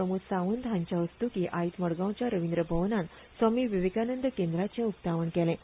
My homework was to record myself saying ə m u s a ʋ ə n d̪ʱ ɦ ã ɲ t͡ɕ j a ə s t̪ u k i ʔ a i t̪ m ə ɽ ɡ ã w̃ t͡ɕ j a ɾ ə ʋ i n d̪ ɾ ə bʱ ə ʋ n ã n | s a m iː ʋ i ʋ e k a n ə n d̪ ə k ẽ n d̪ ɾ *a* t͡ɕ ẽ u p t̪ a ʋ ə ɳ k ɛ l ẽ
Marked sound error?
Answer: no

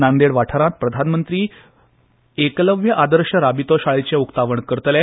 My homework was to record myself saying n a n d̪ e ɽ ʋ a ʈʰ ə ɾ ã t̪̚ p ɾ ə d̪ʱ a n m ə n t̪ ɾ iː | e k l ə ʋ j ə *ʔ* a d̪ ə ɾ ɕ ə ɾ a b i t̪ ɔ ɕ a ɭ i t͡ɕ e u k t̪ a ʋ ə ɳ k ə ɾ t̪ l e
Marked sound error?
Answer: no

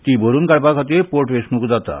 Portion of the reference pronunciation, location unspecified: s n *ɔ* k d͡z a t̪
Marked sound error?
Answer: yes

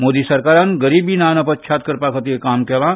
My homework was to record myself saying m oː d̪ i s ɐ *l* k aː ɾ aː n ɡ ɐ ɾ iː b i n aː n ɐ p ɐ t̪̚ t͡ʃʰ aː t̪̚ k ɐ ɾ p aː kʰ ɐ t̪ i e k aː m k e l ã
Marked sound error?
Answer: yes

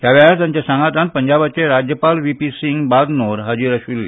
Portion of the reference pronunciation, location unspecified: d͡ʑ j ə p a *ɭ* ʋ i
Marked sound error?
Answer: yes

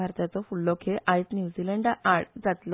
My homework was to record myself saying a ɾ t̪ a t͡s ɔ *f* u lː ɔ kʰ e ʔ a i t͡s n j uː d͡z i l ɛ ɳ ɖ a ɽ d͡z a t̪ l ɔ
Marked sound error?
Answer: no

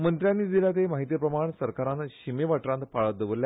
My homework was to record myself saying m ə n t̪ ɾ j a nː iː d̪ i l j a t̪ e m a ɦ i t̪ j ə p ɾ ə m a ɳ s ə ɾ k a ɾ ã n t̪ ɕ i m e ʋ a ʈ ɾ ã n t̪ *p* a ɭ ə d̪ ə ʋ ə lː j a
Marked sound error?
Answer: no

